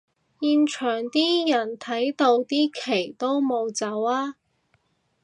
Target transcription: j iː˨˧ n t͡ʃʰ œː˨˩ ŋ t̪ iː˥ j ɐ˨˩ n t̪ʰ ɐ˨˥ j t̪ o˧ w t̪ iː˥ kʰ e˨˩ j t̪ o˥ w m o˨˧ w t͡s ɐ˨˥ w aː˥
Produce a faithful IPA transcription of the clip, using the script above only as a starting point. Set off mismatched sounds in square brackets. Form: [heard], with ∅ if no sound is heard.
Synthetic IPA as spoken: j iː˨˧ n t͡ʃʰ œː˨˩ ŋ t̪ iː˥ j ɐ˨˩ n t̪ʰ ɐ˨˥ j t̪ o˧ w t̪ iː˥ kʰ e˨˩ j t̪ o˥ w m o˨˧ w t͡s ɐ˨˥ w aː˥